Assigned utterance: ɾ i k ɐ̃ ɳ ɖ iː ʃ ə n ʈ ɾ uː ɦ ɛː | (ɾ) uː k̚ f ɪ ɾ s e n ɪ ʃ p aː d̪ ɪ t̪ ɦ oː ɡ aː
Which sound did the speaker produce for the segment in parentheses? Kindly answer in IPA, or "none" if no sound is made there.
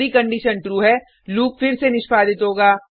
l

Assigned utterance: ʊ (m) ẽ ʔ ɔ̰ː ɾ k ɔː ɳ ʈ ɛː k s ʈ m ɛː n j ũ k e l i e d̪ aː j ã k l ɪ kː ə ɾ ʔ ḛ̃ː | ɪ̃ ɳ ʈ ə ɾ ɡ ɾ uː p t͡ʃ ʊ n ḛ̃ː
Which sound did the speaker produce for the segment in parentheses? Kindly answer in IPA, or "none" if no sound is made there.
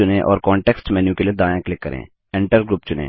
n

